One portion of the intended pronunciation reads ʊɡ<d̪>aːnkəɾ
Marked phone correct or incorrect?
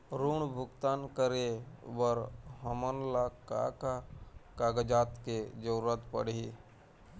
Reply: incorrect